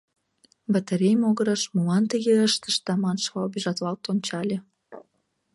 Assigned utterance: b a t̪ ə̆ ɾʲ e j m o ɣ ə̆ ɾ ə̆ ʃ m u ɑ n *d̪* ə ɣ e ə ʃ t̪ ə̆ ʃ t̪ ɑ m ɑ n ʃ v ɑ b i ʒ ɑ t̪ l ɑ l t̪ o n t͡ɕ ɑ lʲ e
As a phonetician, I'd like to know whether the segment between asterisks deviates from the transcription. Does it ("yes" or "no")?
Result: yes